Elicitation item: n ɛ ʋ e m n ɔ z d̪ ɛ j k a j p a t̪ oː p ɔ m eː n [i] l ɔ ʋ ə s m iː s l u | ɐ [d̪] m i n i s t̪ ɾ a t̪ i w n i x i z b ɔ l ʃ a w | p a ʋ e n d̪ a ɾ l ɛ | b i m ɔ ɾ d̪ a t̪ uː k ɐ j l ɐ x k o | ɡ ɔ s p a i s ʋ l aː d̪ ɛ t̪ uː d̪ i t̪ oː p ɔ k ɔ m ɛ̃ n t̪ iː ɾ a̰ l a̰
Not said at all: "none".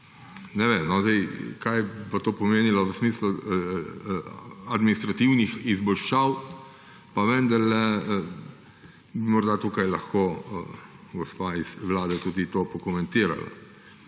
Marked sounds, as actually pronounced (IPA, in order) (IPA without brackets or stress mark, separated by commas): i, d̪